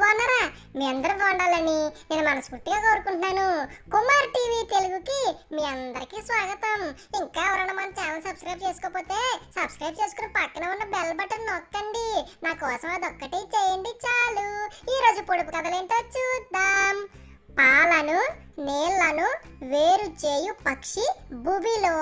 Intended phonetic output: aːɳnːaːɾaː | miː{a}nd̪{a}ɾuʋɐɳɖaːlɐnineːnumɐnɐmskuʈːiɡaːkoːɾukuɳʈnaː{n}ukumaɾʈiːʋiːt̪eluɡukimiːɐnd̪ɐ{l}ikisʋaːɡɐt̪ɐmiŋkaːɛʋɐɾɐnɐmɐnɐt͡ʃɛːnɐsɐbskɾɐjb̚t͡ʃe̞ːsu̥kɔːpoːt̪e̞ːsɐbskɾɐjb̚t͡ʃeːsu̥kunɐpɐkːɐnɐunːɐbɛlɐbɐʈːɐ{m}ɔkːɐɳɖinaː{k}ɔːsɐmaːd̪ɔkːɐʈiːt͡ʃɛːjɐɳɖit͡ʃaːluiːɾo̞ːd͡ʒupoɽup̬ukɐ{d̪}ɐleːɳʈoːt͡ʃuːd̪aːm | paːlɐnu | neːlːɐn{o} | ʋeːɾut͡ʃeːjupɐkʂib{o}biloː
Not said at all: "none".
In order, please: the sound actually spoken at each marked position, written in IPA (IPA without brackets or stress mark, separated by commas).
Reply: ɐ, ɐ, n, ɾ, n, k, d̪, u, u